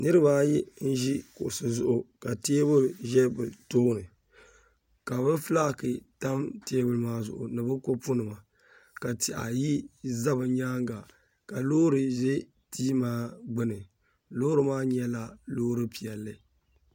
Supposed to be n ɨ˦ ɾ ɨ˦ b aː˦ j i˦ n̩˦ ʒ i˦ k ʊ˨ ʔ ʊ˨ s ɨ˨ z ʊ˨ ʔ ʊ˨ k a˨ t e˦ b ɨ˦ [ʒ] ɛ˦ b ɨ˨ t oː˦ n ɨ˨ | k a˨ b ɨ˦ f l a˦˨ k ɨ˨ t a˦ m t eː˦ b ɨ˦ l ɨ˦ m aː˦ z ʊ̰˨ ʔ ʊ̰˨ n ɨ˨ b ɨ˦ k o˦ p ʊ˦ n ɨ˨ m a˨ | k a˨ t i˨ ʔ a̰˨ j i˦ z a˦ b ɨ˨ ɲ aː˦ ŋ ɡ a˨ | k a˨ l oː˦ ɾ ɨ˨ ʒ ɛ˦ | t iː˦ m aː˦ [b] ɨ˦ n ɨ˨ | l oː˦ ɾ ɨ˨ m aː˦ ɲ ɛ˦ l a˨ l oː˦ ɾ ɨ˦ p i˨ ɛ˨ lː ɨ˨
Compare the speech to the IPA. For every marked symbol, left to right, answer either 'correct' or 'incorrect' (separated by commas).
correct, incorrect